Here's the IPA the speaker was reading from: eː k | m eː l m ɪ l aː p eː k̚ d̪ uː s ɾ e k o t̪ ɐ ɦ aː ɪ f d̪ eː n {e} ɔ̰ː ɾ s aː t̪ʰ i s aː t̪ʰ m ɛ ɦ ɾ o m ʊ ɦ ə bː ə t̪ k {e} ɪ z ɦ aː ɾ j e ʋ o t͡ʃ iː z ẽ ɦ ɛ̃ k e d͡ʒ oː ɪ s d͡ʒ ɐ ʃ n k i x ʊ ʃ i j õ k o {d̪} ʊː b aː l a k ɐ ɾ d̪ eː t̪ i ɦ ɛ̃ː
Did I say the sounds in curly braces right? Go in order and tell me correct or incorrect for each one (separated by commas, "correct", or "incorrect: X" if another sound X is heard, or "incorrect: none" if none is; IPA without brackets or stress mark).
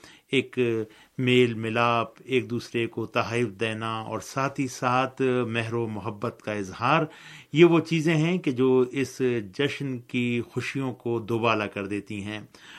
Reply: incorrect: a, incorrect: a, correct